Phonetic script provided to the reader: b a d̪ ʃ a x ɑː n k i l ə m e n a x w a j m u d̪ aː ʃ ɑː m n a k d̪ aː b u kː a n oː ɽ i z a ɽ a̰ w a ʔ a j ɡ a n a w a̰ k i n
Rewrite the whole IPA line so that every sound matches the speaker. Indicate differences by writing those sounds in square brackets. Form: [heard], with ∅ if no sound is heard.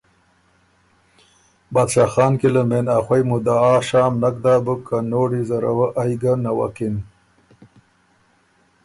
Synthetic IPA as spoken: b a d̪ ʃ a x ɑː n k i l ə m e n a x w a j m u d̪ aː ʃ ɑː m n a k d̪ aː b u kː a n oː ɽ i z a [ɾ] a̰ w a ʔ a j ɡ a n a w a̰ k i n